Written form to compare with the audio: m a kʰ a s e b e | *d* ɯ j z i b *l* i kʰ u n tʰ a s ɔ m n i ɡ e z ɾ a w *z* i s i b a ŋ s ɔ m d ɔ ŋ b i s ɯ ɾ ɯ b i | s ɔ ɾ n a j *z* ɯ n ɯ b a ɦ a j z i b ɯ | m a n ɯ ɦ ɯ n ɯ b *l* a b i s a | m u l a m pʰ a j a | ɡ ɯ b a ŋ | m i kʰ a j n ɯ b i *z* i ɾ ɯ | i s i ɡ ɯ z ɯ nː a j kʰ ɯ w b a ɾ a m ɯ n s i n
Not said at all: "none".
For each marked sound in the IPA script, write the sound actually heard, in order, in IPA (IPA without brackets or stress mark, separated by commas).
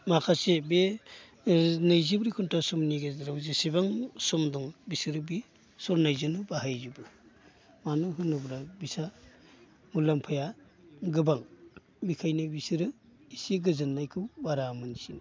n, ɾ, z, z, ɾ, s